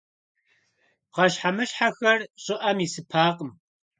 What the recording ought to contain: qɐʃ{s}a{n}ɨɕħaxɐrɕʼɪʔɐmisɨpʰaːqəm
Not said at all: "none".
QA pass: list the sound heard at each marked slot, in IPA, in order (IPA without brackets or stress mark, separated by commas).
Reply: ħ, m